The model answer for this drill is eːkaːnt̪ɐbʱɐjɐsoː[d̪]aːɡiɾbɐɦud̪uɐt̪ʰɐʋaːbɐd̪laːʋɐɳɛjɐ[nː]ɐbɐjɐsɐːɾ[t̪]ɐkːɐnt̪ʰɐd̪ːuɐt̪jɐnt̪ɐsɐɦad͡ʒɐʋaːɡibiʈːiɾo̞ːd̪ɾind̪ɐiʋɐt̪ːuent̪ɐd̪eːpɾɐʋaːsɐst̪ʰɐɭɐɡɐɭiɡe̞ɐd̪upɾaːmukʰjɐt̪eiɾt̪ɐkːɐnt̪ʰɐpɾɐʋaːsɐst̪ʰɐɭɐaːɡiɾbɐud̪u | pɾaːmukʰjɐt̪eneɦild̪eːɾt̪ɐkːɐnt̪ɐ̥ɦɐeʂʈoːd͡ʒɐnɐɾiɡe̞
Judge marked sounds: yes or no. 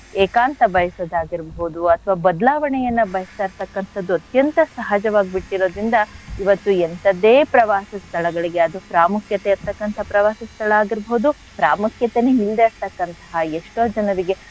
yes, yes, yes

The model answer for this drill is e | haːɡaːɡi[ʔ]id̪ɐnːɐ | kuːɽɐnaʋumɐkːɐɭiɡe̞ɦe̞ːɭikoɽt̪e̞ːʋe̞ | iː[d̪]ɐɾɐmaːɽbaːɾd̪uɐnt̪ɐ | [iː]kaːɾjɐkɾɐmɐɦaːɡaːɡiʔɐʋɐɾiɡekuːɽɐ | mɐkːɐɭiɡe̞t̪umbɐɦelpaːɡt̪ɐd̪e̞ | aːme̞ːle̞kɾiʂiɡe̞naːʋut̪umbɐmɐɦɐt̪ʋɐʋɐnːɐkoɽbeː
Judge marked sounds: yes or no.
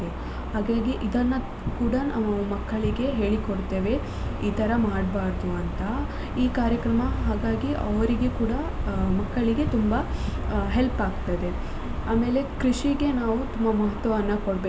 yes, no, yes

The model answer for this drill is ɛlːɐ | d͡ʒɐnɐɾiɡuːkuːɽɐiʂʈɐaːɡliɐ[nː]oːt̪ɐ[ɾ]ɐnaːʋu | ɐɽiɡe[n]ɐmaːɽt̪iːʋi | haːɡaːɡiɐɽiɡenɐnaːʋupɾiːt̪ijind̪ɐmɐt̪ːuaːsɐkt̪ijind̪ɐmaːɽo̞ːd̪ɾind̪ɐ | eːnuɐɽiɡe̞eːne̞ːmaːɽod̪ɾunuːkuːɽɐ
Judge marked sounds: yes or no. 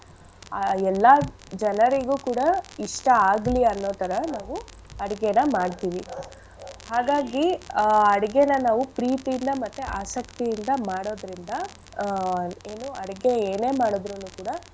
yes, yes, yes

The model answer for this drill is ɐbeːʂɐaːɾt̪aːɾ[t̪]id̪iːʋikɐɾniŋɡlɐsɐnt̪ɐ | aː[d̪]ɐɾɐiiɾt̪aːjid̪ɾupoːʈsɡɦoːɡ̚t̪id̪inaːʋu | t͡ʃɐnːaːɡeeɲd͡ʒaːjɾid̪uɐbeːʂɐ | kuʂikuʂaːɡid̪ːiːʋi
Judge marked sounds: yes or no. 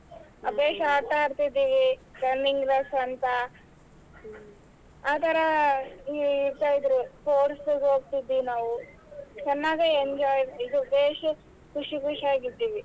yes, no

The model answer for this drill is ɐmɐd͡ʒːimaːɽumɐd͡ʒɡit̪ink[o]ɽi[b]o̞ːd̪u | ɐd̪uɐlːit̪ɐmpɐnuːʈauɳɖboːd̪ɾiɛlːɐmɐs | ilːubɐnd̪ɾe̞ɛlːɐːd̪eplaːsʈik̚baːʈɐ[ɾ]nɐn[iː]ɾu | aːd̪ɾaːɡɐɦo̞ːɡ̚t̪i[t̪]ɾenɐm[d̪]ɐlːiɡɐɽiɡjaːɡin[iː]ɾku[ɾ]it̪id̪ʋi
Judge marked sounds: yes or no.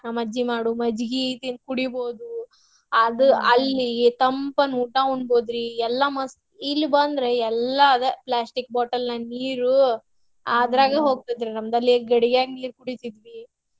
no, yes, no, yes, no, yes, yes, no

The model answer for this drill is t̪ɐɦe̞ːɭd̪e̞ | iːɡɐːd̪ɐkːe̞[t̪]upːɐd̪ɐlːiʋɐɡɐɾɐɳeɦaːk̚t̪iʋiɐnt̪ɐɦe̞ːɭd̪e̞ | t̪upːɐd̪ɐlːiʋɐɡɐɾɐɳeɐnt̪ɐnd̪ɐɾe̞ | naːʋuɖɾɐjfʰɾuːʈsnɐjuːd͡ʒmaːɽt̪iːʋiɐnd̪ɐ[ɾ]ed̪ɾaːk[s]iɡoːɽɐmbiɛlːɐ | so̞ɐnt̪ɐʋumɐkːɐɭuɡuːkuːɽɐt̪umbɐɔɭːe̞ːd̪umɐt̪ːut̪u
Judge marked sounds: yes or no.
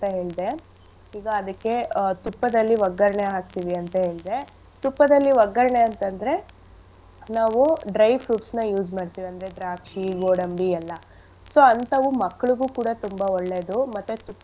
yes, yes, no

